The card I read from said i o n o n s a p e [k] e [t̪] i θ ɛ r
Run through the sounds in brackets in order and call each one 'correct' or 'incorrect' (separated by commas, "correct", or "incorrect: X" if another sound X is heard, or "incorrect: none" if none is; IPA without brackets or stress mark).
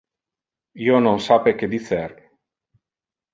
correct, incorrect: d̪